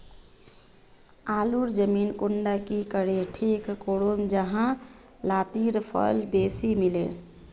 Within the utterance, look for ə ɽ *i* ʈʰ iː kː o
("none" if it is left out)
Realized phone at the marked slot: e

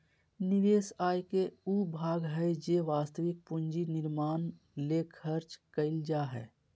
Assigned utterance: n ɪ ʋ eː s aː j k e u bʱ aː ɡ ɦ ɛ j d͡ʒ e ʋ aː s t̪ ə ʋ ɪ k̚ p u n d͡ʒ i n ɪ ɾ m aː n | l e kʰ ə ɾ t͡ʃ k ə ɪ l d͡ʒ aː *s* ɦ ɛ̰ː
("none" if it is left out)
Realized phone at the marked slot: none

